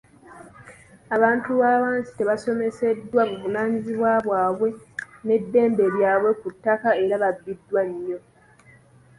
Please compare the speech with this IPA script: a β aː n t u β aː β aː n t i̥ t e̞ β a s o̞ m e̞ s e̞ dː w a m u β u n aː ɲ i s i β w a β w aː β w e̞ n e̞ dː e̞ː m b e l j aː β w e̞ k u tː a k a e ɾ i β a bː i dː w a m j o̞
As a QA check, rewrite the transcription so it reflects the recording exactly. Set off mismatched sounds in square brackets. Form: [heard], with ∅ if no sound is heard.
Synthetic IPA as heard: a β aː n t u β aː β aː n [s] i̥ t e̞ β a s o̞ m e̞ s e̞ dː w a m u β u n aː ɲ i [z] i β w a β w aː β w e̞ n e̞ dː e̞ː m b e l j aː β w e̞ k u tː a k a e ɾ [a] β a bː i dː w a [ɲ] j o̞